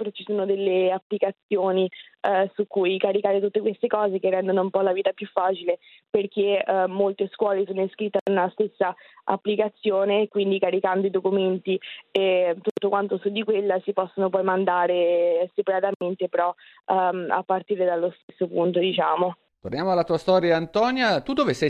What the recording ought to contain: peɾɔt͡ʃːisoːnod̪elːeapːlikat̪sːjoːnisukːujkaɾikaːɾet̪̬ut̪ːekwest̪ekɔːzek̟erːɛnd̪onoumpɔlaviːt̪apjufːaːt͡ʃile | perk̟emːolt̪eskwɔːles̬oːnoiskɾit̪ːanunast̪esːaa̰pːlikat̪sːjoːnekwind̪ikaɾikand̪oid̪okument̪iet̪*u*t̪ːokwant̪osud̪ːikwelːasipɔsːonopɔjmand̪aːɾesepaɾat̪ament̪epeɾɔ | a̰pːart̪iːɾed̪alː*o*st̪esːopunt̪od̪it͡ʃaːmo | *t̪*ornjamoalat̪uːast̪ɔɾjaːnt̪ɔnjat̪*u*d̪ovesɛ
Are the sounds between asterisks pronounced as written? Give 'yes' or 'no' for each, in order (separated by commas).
yes, yes, yes, yes